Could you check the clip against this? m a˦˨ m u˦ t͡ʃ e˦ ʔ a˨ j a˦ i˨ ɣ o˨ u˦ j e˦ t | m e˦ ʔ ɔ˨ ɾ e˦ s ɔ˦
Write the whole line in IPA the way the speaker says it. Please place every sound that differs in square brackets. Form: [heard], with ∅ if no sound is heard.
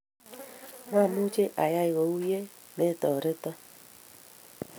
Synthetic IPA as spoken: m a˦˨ m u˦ t͡ʃ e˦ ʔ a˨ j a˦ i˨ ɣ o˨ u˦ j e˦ [∅] | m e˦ [t] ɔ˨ ɾ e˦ [t] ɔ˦

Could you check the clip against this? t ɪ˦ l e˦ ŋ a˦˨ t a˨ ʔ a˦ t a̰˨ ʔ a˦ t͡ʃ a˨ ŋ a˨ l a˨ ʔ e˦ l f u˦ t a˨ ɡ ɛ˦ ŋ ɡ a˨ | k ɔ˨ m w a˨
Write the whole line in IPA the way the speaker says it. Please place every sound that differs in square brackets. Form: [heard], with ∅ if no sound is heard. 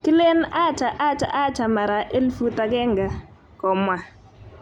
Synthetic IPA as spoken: [k] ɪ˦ l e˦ [n] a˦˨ [t͡ʃ] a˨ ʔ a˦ [t͡ʃ] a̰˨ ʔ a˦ t͡ʃ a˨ [m] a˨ [ɾ] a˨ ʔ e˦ l f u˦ t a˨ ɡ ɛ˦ ŋ ɡ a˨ | k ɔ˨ m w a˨

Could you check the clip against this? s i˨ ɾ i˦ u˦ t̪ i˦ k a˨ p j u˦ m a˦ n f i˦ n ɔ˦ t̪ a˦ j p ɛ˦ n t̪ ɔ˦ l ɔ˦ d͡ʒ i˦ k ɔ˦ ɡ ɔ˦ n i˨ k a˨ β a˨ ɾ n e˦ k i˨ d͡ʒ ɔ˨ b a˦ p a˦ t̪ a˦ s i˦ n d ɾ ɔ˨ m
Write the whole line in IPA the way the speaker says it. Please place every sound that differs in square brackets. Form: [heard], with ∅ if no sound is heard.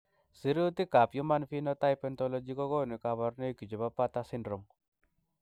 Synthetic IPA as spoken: s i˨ ɾ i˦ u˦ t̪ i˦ k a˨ p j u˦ m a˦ n f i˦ n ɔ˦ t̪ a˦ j p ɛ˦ n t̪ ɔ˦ l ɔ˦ d͡ʒ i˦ k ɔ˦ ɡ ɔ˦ n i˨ k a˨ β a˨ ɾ n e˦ k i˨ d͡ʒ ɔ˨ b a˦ p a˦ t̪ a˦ s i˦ n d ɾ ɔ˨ m

